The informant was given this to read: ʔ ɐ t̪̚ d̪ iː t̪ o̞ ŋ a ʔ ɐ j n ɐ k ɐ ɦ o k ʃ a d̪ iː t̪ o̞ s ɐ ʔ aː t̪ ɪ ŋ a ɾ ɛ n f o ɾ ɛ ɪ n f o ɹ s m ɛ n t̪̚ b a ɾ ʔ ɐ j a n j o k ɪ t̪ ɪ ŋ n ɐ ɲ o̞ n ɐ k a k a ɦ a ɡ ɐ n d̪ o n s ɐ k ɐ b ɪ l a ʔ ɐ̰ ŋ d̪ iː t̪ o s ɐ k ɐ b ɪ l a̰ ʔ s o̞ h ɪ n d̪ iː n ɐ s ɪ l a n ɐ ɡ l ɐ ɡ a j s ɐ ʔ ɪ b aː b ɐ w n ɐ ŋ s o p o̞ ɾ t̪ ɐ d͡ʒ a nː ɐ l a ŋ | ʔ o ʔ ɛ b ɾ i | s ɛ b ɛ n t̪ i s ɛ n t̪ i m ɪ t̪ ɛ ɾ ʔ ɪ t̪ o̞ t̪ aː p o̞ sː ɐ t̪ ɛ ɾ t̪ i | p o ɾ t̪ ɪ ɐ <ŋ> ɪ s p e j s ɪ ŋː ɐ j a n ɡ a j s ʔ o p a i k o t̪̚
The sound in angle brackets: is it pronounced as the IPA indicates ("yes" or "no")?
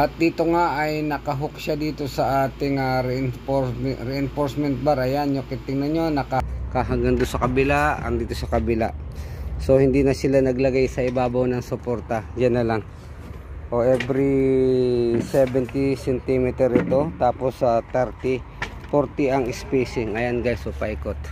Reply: yes